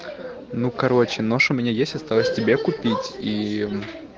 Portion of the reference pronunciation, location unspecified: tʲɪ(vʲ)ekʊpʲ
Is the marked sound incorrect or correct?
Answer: incorrect: bʲ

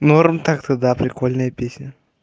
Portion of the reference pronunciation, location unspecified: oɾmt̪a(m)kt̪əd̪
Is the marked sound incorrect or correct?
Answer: incorrect: none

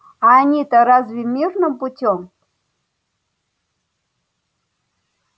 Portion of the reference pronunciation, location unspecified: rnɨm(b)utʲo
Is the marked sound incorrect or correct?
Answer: incorrect: p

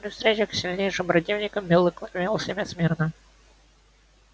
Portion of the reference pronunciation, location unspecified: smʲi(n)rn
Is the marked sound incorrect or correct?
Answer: incorrect: none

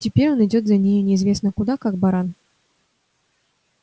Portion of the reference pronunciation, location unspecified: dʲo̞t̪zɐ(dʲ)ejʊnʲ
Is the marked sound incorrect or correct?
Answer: incorrect: nʲ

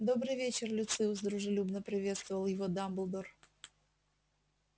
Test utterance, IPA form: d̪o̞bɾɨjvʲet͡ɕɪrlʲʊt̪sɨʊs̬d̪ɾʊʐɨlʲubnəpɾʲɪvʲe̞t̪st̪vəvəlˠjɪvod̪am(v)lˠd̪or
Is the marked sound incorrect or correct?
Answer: incorrect: b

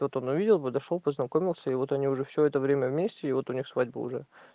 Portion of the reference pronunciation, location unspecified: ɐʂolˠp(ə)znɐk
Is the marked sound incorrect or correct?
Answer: correct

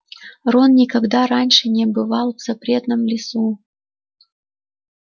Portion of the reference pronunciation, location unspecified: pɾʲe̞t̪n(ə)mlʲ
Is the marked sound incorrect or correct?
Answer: correct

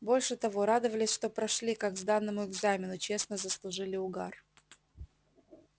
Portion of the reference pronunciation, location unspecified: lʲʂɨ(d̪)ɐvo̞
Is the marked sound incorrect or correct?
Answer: incorrect: t̪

